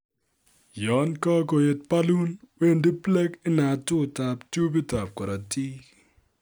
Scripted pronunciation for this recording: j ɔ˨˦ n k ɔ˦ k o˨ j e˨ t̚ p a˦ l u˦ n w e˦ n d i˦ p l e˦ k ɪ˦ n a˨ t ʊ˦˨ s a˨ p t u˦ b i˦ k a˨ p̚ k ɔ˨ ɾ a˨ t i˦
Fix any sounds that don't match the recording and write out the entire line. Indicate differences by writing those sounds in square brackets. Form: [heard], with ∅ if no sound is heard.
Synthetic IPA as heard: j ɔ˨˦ n k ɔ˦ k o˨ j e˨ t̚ p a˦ l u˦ n w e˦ n d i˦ p l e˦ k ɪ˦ n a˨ t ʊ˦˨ [t] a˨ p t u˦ b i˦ [t] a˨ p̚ k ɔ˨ ɾ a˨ t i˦